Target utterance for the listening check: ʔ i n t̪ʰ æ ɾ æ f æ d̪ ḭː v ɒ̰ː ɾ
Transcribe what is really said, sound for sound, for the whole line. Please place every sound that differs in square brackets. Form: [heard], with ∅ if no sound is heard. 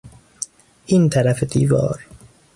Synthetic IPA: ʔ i n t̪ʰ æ ɾ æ f [e] d̪ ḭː v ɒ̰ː ɾ